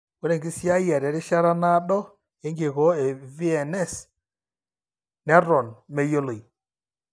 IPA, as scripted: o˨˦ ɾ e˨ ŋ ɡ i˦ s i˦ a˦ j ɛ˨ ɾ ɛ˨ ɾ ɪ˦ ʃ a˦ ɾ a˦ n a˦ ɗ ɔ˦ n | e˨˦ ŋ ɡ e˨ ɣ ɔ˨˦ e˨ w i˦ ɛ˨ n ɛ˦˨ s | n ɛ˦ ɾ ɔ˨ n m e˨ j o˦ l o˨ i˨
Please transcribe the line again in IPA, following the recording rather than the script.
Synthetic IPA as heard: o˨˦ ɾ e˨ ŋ ɡ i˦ s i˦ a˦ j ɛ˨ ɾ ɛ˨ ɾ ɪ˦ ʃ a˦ ɾ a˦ n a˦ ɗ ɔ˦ | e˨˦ ŋ ɡ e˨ ɣ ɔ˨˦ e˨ v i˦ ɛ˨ n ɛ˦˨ s | n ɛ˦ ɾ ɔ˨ n m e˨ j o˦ l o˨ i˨

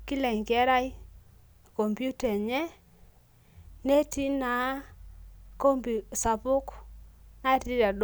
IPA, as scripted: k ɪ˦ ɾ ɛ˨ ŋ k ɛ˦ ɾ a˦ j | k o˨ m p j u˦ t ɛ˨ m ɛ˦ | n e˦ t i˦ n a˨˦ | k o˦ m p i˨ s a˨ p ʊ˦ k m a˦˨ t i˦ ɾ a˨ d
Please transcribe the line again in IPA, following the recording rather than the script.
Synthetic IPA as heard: k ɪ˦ l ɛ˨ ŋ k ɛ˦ ɾ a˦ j | k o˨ m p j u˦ t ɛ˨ ɲ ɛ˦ | n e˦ t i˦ n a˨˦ | k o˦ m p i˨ s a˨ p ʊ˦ k n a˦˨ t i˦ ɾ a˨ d

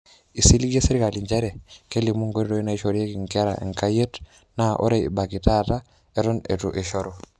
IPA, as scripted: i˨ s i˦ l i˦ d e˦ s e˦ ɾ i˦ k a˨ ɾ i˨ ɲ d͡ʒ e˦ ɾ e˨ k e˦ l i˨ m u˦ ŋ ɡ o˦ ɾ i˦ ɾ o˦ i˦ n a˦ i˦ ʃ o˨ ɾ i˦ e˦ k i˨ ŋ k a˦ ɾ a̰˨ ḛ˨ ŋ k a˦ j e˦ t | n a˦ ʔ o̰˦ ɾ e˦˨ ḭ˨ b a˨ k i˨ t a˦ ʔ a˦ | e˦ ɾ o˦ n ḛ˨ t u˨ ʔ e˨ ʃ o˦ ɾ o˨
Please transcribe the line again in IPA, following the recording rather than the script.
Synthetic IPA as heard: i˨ s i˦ l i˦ ɡ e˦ s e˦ ɾ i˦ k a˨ l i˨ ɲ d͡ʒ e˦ ɾ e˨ k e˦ l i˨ m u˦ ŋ ɡ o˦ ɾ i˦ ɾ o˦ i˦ n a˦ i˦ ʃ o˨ ɾ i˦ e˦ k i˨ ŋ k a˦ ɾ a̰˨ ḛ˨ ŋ k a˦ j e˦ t | n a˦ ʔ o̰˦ ɾ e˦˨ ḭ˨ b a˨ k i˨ t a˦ t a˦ | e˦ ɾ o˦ n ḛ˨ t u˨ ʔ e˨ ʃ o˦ ɾ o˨

